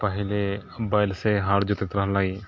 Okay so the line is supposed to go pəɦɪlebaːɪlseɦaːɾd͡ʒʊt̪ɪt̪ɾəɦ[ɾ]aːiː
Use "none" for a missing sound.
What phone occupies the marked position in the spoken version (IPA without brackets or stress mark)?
l